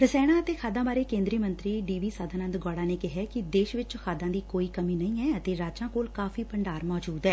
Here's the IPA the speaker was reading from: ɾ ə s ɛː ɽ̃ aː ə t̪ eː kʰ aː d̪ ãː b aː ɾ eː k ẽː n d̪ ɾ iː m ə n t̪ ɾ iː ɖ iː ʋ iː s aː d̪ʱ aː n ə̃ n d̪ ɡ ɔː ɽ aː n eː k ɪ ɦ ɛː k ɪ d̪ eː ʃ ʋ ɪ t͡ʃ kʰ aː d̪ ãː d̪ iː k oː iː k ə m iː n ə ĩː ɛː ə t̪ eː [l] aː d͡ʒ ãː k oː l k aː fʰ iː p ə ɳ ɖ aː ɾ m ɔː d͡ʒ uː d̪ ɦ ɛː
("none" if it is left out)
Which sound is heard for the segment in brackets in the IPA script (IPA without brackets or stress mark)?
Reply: ɾ